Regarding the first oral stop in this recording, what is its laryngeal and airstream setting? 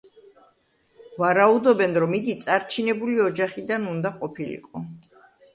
plain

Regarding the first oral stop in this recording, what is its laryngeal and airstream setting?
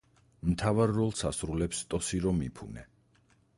aspirated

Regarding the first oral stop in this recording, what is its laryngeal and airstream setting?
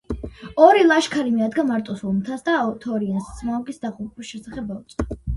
aspirated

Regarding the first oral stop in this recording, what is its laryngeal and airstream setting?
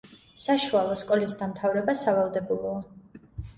ejective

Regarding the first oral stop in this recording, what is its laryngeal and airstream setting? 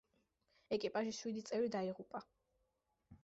ejective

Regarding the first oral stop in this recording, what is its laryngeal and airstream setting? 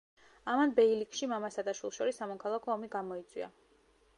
plain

